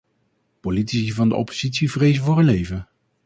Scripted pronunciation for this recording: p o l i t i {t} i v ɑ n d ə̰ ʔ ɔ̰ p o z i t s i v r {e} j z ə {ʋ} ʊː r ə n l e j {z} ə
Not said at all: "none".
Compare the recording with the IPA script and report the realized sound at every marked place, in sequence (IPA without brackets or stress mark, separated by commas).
s, e, v, v